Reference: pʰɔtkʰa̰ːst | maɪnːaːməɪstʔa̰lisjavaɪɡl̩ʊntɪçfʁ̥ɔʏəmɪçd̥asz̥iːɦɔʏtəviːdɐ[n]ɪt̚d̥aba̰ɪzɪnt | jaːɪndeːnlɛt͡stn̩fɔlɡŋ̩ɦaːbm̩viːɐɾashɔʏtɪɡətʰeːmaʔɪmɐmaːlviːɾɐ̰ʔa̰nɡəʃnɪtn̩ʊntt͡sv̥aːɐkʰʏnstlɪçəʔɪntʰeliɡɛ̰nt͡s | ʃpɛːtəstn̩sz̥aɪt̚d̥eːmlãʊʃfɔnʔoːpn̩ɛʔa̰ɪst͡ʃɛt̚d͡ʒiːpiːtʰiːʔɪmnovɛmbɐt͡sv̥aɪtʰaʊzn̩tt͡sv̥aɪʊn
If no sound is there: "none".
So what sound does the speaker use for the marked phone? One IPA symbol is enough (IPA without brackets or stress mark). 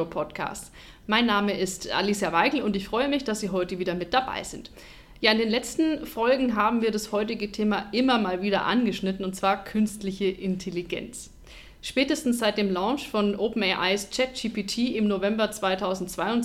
m